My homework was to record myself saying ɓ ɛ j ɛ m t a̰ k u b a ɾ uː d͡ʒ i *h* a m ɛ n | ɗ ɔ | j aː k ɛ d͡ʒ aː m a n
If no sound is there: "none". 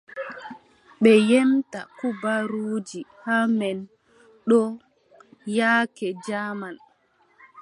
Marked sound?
h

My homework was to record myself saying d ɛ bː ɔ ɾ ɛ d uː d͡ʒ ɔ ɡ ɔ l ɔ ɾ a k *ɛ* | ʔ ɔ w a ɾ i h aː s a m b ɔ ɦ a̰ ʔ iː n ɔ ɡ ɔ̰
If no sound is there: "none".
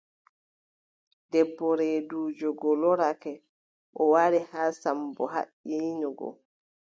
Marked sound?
ɛ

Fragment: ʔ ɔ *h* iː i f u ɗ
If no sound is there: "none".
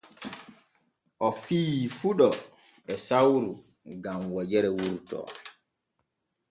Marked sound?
f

